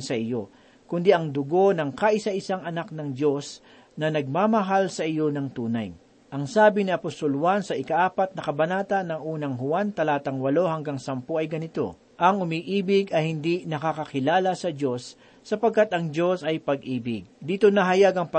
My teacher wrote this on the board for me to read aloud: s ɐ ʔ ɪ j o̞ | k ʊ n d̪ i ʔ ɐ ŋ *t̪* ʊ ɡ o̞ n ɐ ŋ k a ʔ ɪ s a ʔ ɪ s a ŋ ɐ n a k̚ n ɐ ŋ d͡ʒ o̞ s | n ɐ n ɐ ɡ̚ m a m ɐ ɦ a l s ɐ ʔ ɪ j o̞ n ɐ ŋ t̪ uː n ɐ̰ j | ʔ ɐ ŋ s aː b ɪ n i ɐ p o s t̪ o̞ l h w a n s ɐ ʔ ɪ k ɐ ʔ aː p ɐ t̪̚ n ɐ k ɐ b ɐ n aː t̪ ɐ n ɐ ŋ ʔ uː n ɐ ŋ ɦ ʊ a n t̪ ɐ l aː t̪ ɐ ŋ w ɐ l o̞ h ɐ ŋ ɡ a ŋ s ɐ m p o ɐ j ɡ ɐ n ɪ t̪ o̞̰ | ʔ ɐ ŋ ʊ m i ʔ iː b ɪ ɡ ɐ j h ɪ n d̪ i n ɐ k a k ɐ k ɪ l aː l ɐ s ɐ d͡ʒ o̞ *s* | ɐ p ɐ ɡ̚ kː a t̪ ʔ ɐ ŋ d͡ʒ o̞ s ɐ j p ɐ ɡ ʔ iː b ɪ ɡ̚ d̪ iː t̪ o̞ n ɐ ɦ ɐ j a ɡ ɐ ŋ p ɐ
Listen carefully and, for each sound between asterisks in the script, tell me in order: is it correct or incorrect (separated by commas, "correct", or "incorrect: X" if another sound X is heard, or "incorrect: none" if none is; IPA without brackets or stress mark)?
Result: incorrect: d̪, incorrect: sː